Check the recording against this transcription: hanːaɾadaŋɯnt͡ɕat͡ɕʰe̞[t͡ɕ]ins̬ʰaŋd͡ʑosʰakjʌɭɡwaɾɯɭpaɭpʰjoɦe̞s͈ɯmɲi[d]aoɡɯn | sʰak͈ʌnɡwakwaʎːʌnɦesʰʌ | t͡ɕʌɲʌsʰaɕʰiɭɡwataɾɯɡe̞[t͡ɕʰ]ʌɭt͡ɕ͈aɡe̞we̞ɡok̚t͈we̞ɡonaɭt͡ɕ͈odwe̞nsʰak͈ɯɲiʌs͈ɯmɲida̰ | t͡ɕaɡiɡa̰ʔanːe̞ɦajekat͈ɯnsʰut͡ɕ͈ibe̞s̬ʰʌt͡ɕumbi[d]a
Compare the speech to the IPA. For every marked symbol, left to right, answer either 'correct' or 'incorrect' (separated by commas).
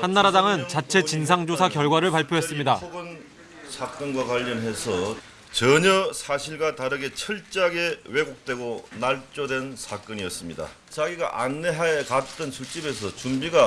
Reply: correct, correct, correct, incorrect